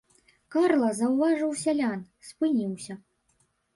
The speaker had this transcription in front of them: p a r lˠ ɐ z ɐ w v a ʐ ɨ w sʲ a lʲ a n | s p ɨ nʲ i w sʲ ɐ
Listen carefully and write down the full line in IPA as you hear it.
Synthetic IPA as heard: k a r lˠ ɐ z ɐ w v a ʐ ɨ w sʲ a lʲ a n | s p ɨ nʲ i w sʲ ɐ